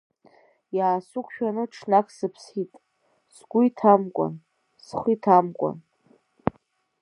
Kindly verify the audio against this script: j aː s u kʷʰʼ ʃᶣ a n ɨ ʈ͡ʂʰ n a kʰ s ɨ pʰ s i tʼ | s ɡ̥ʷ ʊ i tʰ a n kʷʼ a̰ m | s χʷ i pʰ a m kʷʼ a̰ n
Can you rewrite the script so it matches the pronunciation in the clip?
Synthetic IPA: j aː s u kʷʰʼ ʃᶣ a n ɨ ʈ͡ʂʰ n a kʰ s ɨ pʰ s i tʼ | s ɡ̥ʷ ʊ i tʰ a m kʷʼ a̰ n | s χʷ i tʰ a m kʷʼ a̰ n